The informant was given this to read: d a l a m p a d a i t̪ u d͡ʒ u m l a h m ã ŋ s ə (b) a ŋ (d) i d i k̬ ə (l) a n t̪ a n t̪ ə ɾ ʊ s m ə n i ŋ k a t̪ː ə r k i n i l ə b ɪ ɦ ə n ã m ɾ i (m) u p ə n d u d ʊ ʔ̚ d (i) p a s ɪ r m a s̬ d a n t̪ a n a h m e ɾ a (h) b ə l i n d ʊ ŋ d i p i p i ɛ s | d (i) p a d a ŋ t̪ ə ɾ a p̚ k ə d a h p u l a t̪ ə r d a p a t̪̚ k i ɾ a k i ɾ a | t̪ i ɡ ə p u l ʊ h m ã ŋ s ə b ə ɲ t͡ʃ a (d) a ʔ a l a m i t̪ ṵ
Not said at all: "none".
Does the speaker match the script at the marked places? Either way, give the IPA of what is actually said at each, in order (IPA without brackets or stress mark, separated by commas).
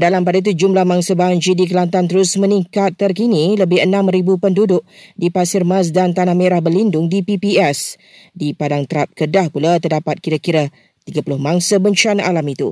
b, d͡ʒ, l, b, i, h, i, n